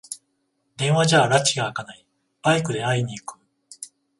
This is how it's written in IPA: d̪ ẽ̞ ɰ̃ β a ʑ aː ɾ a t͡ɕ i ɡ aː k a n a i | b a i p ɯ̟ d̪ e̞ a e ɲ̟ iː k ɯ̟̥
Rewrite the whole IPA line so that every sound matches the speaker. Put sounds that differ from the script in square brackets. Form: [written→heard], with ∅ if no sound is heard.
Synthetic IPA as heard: d̪ ẽ̞ ɰ̃ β a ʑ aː ɾ a t͡ɕ i ɡ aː k a n a i | b a i [p→k] ɯ̟ d̪ e̞ a [e→i] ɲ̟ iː k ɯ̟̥